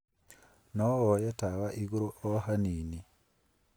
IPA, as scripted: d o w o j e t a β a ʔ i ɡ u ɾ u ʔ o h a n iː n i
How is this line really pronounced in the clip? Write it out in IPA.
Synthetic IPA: n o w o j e t a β a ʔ i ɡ u ɾ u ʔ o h a n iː n i